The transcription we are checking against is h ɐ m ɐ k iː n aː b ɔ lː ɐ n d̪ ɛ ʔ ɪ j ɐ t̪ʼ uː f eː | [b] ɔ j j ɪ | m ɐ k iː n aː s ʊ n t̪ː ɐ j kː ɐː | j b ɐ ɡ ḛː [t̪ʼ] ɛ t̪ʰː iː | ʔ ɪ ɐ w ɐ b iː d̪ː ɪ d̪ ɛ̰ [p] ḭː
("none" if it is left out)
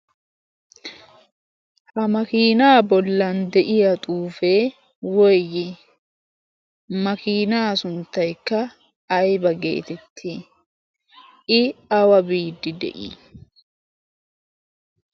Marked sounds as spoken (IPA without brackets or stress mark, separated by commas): w, t̪, ʔ